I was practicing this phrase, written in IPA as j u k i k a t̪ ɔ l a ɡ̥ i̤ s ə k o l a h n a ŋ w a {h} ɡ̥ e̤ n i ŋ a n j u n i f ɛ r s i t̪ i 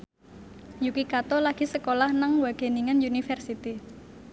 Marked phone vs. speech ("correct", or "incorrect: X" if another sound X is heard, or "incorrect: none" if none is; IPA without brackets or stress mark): incorrect: none